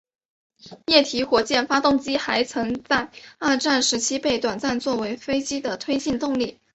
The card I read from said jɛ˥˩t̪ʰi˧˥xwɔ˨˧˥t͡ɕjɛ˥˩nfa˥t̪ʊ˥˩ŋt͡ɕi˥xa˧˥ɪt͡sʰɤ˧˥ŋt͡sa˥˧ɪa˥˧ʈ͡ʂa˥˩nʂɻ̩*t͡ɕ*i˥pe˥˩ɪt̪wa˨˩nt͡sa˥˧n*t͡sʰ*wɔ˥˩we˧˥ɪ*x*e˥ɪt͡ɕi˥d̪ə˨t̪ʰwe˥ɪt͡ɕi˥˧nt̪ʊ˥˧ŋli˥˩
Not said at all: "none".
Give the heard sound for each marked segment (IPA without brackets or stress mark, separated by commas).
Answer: t͡ɕʰ, t͡s, f